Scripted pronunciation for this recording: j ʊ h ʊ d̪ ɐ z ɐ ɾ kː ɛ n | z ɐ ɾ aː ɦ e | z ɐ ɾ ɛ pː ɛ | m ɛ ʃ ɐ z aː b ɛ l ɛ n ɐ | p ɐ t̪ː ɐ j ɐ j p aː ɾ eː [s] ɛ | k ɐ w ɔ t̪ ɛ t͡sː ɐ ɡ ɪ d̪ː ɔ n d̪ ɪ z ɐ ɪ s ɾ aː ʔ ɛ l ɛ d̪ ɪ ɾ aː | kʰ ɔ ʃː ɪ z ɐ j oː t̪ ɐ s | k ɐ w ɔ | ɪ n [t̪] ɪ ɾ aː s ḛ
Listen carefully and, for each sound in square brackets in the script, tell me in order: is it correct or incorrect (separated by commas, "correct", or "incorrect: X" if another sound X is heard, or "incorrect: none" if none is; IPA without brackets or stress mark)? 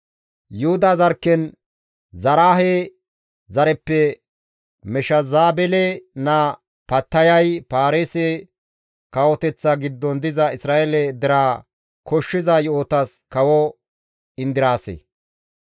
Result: correct, incorrect: d̪